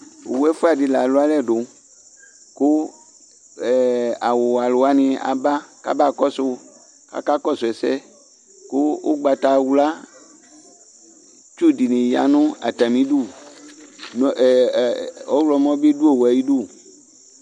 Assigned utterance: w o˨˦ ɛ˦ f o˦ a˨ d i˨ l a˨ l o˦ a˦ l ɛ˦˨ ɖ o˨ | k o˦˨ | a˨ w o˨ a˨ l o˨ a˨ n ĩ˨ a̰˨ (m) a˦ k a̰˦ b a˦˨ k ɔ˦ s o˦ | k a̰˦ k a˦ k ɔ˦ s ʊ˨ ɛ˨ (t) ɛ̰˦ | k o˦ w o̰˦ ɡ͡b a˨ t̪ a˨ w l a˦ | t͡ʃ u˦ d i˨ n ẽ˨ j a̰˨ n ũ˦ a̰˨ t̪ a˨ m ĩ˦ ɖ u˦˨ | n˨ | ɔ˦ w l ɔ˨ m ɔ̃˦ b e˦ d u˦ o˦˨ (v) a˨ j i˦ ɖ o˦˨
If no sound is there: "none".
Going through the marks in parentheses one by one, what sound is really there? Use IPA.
b, s, w

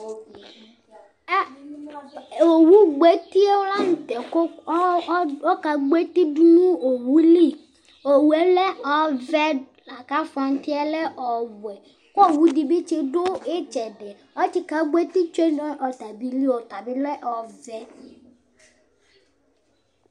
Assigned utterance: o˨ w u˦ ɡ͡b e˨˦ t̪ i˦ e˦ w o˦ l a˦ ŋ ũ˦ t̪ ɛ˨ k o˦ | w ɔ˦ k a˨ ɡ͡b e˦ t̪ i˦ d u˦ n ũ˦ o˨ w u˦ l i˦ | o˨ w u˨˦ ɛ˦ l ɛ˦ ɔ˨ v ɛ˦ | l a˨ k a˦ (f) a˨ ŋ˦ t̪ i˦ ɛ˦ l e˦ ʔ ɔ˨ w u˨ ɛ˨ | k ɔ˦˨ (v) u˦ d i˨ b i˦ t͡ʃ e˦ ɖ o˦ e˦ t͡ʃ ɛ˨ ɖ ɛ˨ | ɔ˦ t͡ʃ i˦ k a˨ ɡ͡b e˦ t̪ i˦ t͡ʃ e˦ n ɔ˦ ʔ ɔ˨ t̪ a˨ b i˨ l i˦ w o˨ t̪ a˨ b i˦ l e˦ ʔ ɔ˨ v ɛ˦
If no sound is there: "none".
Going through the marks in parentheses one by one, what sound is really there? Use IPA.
f, w

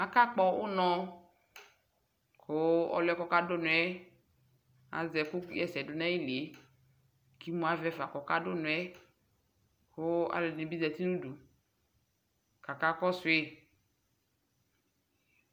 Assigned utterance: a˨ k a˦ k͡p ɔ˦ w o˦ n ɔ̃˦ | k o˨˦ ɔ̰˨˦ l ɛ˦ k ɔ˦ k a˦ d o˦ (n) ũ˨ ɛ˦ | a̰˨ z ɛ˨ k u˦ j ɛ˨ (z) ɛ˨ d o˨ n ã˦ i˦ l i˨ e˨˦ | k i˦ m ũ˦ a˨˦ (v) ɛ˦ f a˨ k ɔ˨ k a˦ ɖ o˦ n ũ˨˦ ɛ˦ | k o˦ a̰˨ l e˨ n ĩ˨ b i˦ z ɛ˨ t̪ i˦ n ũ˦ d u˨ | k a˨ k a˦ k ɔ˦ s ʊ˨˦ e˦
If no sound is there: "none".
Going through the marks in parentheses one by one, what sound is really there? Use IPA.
n, s, v

